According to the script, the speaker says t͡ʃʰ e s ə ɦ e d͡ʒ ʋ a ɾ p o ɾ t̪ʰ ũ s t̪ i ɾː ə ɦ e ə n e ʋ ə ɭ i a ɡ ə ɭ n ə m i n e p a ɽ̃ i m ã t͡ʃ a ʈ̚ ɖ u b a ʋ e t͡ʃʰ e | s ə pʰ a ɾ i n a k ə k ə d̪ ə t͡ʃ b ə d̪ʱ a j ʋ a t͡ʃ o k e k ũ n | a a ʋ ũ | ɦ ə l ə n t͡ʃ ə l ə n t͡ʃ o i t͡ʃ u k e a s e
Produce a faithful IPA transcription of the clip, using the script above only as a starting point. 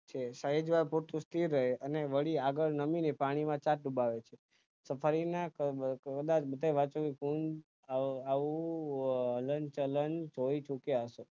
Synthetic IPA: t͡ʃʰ e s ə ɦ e d͡ʒ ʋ a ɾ p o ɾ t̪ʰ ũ s t̪ i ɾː ə ɦ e ə n e ʋ ə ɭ i a ɡ ə ɭ n ə m i n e p a ɽ̃ i m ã t͡ʃ a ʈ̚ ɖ u b a ʋ e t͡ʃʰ e | s ə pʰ a ɾ i n a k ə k ə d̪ a t͡ʃ b ə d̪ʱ a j ʋ a t͡ʃ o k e k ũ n | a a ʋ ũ | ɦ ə l ə n t͡ʃ ə l ə n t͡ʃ o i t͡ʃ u k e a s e